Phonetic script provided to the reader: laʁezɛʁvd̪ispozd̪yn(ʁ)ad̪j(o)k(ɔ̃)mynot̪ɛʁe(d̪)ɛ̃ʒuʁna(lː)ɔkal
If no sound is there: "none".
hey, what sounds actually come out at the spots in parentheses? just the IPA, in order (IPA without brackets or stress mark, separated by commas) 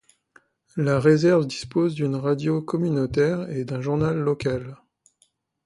ʁ, o, ɔ, d̪, lː